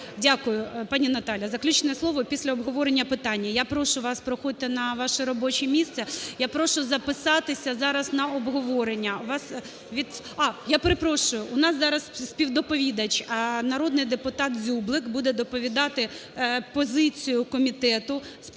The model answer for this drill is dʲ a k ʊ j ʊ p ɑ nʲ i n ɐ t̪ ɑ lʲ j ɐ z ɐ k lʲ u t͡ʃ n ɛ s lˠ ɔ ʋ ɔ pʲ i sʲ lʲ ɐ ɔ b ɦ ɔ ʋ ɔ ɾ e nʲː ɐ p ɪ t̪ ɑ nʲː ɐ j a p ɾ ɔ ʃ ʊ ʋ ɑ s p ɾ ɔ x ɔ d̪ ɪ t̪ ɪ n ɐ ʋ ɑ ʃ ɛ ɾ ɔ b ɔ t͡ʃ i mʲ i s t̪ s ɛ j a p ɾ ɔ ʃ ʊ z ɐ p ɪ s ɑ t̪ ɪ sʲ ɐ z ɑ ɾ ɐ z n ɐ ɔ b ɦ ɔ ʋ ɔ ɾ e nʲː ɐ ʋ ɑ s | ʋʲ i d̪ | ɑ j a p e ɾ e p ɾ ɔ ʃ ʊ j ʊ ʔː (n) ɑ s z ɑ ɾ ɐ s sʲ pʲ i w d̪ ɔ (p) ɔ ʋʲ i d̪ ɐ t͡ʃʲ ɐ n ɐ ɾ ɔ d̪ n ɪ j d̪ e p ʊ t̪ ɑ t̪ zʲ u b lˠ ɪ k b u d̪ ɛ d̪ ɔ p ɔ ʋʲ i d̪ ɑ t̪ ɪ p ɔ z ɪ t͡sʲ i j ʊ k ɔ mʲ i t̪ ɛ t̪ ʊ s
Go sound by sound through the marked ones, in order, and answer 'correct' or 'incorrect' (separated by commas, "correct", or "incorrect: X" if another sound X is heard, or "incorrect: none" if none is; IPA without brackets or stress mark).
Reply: correct, correct